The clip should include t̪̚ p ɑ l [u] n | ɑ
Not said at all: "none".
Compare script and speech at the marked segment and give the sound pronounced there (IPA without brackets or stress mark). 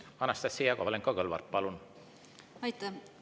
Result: u